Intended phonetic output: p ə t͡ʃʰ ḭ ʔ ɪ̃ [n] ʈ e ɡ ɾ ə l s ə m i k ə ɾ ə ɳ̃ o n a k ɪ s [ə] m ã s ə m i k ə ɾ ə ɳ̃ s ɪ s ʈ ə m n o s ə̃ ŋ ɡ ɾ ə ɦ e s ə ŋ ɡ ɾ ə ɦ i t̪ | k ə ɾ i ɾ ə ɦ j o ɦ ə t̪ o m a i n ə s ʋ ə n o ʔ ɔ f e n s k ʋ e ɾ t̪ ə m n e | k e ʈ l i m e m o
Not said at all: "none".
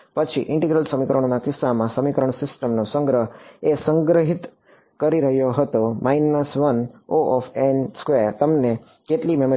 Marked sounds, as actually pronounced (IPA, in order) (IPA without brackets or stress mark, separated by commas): ɳ, a